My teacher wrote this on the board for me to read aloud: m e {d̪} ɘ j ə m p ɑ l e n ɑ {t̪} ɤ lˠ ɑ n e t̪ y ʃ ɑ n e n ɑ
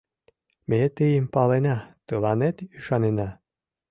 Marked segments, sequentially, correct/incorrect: incorrect: t̪, correct

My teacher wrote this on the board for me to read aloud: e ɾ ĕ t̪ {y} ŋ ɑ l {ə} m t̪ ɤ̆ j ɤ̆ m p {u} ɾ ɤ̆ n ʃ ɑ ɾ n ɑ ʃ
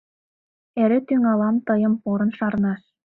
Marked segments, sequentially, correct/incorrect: correct, incorrect: ɑ, incorrect: o

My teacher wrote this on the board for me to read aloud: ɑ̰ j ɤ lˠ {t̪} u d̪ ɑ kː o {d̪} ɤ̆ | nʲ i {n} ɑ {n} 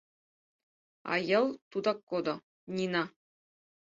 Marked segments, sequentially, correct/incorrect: correct, correct, correct, incorrect: none

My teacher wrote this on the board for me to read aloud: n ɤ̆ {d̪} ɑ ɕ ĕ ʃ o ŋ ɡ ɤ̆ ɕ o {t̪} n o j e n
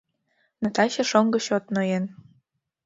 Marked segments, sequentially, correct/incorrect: incorrect: t̪, correct

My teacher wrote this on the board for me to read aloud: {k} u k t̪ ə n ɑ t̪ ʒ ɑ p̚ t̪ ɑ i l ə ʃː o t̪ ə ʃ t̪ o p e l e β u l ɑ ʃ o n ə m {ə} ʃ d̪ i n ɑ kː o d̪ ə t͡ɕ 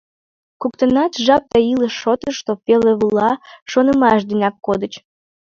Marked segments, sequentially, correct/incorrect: correct, incorrect: ɑ

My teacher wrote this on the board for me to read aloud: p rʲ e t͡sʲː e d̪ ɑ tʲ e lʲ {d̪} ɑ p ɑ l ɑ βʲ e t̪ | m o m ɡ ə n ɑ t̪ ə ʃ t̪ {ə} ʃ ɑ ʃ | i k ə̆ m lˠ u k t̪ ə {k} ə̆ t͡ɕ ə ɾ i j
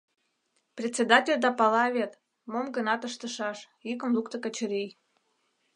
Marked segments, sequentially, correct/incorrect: correct, correct, correct

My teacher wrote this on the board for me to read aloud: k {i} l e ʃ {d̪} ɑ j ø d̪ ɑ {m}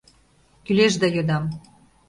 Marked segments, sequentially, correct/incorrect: incorrect: y, correct, correct

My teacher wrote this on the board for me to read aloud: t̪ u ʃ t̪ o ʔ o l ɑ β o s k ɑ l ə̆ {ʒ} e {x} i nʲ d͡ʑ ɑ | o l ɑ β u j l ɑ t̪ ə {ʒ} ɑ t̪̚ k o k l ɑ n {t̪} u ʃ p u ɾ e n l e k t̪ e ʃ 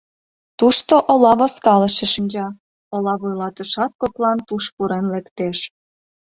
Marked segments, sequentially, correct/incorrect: incorrect: ʃ, incorrect: ʃ, incorrect: ʃ, correct

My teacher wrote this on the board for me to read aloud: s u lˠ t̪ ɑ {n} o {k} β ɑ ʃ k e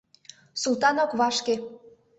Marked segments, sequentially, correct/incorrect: correct, correct

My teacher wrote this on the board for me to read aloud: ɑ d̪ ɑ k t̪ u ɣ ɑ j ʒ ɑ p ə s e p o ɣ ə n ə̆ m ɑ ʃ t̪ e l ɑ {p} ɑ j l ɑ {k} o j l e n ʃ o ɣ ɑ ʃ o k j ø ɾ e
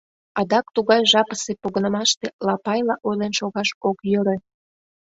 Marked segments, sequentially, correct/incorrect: correct, incorrect: ʔ

